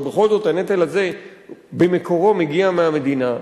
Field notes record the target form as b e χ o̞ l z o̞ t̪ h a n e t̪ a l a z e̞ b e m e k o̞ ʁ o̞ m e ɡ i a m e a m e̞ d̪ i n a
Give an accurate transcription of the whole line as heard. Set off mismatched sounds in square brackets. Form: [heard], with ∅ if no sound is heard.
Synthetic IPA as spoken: b e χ o̞ l z o̞ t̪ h a n e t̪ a l a z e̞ b e m e k o̞ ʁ o̞ m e ɡ i a m e a m e̞ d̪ i n a